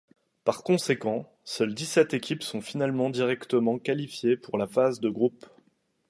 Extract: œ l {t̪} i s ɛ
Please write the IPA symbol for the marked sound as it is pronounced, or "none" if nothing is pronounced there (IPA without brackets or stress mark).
d̪